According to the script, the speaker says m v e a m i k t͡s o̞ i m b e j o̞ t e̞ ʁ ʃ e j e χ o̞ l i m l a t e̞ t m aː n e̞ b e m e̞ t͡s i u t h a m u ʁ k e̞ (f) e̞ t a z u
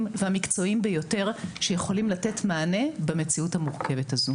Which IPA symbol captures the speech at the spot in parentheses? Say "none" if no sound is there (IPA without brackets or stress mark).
v